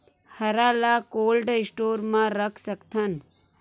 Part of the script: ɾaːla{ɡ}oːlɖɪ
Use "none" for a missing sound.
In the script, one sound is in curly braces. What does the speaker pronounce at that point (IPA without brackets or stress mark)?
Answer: k